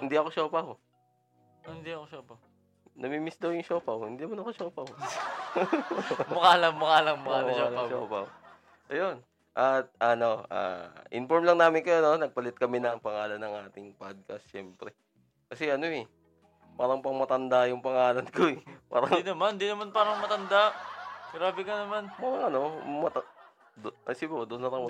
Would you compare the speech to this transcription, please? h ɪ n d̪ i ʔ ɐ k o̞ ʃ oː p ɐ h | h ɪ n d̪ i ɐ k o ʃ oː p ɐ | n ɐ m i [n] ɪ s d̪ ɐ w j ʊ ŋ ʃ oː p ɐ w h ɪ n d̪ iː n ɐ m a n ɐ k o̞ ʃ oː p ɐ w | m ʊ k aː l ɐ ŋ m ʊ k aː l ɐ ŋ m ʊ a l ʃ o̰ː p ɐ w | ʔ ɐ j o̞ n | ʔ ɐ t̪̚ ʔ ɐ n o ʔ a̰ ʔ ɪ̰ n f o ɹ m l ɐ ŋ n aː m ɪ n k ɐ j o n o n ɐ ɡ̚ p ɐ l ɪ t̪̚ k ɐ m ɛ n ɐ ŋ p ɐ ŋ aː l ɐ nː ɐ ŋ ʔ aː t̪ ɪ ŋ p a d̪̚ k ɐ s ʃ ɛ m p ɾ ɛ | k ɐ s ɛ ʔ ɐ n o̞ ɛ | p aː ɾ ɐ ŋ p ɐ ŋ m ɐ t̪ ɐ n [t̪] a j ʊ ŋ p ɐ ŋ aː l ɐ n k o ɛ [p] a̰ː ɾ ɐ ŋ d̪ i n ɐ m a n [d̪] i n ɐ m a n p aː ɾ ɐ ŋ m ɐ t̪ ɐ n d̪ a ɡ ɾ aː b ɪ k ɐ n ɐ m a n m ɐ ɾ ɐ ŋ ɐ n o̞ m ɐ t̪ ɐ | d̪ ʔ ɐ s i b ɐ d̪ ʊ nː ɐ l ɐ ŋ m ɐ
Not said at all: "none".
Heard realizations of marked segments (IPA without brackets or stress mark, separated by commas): m, d̪, p, d̪